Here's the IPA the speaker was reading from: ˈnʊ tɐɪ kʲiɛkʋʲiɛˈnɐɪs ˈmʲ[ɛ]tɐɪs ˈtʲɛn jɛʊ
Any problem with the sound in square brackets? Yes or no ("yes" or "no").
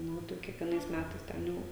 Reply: yes